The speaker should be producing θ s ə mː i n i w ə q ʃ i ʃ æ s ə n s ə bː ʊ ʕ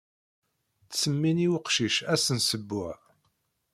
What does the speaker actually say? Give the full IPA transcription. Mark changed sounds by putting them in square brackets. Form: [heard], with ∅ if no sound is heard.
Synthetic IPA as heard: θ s ə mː i n i w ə q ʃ i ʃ æ s ə n s ə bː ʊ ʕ